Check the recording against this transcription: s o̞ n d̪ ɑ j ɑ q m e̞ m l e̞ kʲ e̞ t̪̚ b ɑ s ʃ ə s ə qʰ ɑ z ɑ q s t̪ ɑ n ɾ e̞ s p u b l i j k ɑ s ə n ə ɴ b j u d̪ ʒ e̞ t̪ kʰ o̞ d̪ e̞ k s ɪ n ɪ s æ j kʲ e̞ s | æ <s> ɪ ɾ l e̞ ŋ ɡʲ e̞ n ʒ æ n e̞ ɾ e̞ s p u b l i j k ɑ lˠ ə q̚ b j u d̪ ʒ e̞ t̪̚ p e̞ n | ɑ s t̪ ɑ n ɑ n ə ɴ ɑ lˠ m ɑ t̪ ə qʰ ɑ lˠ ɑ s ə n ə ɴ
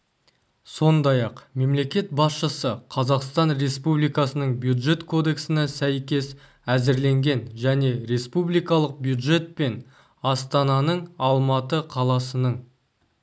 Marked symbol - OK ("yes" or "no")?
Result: no